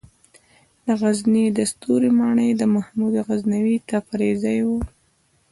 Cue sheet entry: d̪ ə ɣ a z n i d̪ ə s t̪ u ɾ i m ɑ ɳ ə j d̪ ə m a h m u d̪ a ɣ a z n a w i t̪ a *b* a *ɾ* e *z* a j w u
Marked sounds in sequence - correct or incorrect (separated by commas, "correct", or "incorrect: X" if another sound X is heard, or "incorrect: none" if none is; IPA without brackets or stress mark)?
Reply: incorrect: p, correct, correct